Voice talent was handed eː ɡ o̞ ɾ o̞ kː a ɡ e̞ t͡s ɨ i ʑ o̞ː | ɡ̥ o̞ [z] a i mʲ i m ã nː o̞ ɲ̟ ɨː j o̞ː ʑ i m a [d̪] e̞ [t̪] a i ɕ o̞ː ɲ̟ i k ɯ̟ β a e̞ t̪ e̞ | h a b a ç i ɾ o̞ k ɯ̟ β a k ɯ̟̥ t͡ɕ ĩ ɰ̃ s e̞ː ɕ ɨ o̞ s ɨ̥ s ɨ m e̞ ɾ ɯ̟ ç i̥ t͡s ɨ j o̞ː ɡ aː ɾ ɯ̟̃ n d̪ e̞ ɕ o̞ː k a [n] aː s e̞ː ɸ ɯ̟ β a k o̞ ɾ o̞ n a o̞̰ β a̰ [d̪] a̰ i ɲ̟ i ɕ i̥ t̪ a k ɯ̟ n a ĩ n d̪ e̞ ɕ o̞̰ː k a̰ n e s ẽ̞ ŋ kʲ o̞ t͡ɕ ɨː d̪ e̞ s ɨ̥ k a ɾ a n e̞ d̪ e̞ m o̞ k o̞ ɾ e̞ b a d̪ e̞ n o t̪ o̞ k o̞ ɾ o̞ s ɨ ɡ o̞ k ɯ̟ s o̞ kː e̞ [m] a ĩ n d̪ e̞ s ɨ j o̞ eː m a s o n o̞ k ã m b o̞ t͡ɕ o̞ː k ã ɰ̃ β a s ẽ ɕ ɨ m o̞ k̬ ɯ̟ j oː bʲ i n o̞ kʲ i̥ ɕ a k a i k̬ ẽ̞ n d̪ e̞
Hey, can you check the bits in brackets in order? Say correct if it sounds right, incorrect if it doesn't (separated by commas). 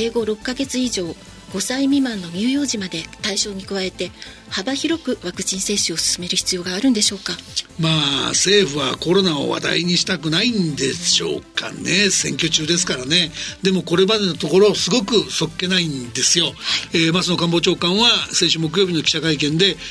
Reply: incorrect, correct, correct, incorrect, correct, incorrect